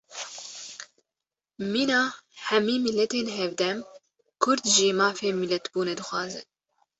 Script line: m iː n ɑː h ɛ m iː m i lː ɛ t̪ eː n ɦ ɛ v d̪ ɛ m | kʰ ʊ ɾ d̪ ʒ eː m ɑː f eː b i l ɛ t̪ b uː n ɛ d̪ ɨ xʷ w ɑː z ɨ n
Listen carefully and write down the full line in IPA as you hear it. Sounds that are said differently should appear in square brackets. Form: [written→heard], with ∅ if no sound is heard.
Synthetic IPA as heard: m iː n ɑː h ɛ m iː m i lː ɛ t̪ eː n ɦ ɛ v d̪ ɛ m | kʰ ʊ ɾ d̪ ʒ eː m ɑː f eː [b→m] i l ɛ t̪ b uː n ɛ d̪ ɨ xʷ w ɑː z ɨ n